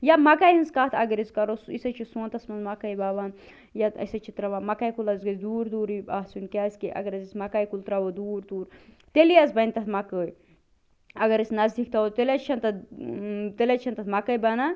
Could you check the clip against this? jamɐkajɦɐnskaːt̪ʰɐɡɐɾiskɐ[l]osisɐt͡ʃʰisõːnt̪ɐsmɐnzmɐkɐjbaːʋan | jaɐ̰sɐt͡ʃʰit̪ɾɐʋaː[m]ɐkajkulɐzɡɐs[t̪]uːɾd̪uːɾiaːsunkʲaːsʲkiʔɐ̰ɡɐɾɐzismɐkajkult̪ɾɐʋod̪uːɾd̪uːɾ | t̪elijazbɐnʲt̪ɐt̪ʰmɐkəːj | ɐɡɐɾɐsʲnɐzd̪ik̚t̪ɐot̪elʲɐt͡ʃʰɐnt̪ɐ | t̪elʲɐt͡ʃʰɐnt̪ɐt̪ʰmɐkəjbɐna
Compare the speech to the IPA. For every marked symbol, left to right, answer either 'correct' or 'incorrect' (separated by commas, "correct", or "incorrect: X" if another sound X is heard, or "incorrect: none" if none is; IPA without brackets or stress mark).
incorrect: ɾ, correct, incorrect: d̪